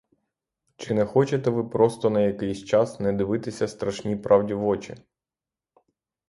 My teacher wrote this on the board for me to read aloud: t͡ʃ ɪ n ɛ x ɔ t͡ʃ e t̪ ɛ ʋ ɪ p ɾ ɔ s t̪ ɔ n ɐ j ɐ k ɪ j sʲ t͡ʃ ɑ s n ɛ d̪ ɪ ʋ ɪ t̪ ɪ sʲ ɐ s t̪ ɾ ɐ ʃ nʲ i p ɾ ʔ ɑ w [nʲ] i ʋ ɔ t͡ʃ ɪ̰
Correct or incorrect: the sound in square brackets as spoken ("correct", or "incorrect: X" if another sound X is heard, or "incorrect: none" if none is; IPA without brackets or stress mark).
incorrect: dʲ